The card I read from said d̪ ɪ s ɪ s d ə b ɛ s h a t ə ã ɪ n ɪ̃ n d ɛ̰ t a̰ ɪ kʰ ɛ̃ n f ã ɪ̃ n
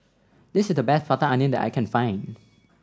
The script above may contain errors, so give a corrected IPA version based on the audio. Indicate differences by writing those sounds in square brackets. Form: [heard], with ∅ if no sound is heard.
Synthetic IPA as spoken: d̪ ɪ s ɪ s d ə b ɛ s [f] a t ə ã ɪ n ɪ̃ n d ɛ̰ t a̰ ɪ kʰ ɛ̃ n f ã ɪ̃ n